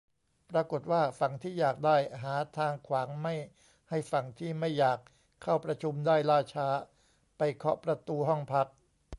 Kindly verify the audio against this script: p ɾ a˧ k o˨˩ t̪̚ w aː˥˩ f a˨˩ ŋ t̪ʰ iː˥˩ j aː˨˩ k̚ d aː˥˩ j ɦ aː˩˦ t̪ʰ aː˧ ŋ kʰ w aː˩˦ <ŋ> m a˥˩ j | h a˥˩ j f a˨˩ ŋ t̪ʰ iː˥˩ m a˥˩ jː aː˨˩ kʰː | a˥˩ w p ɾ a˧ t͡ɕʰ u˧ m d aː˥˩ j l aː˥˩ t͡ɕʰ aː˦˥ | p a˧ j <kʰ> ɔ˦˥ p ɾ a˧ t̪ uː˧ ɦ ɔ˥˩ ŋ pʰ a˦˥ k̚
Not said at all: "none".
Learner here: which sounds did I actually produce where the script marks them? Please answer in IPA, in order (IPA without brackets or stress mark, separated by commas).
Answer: ŋ, kʰ